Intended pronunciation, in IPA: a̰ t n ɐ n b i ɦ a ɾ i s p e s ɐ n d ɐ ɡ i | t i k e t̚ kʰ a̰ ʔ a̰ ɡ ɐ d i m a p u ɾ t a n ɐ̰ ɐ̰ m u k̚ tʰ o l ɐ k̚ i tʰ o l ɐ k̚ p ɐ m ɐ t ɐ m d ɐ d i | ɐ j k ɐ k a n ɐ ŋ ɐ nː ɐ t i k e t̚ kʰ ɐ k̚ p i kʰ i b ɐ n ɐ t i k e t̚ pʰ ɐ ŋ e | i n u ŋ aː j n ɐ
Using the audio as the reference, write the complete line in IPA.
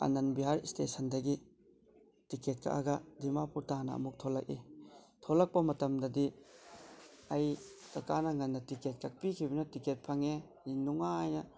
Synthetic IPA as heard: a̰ n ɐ n b i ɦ a ɾ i s t e s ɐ n d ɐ ɡ i | t i k e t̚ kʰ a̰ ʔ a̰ ɡ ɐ d i m a p u ɾ t a n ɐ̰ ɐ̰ m u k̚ tʰ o l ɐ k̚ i tʰ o l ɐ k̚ p ɐ m ɐ t ɐ m d ɐ d i | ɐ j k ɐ k a n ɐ ŋ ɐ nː ɐ t i k e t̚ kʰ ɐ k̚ p i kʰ i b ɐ n ɐ t i k e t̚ pʰ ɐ ŋ e | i n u ŋ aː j n ɐ

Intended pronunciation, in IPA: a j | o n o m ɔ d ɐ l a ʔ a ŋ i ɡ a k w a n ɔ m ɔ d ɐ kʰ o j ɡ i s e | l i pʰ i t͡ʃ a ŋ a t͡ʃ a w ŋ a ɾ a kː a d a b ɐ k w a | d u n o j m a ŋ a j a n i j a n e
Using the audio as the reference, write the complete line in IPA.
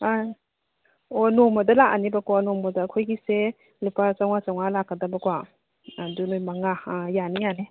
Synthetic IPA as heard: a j | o n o m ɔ d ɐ l a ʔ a n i b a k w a n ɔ m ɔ d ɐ kʰ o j ɡ i s e | l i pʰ a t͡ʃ a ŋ a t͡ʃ a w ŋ a l a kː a d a b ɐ k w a | d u n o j m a ŋ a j a n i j a n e

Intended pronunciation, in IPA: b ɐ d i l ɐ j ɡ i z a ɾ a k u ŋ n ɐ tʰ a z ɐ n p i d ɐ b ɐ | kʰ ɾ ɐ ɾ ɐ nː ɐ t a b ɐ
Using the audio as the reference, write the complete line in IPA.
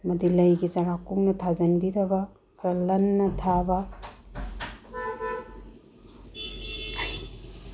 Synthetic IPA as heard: m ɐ d i l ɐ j ɡ i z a ɾ a k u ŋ n ɐ tʰ a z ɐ n b i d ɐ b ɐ | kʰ ɾ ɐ l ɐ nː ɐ tʰ a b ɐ

